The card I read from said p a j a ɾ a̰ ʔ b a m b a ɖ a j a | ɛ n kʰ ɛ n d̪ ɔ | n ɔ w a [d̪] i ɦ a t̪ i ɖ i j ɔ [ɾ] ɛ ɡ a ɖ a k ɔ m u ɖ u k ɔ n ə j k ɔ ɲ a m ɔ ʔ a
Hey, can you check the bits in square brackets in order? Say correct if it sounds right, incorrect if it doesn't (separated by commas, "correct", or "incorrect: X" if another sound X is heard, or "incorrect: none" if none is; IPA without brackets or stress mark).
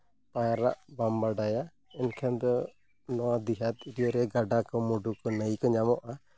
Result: correct, correct